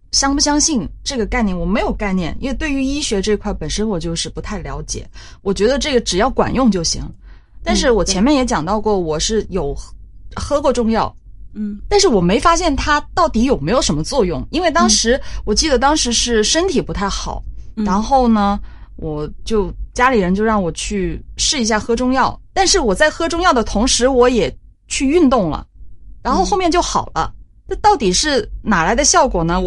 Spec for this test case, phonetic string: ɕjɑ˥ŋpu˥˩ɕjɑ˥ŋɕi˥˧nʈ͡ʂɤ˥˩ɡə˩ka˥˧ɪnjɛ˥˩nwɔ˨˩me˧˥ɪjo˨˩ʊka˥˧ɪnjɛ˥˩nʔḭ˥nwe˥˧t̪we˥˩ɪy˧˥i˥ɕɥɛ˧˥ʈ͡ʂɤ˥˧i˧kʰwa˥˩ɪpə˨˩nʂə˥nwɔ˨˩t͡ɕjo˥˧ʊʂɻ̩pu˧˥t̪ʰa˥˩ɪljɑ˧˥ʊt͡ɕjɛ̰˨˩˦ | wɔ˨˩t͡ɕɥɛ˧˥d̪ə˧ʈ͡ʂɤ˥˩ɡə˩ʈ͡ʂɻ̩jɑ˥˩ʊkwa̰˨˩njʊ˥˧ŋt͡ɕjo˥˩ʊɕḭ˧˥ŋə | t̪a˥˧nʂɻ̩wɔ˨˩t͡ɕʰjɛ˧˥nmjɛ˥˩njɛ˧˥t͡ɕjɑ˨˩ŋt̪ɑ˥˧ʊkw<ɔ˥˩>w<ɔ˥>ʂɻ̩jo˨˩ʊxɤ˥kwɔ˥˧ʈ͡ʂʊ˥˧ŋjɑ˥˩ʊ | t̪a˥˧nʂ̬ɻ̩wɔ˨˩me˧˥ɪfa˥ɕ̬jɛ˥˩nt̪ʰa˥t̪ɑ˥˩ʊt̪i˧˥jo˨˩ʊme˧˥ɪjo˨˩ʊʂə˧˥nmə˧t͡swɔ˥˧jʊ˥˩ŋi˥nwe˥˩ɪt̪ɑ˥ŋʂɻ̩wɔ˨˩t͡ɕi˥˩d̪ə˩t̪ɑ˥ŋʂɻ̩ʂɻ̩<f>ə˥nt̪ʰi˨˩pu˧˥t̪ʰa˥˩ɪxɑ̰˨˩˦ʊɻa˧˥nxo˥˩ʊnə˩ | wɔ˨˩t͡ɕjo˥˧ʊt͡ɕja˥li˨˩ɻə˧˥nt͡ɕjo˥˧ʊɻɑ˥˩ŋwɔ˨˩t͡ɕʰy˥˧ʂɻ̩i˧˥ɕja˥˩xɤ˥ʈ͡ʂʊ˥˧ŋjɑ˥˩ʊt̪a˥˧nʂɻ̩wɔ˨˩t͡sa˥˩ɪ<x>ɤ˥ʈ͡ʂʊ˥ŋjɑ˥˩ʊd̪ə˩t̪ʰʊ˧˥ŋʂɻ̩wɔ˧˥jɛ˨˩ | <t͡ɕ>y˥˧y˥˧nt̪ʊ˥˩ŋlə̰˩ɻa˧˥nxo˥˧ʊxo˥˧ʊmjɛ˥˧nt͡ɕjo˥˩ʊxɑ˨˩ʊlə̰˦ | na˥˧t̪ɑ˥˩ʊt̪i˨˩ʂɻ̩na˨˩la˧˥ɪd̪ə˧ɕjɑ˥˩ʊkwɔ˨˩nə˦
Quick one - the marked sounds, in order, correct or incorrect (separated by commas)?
correct, incorrect, incorrect, correct, incorrect